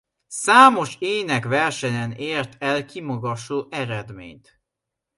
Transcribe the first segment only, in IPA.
s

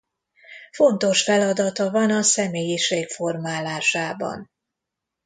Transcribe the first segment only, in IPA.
f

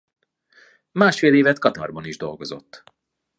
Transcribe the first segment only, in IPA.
m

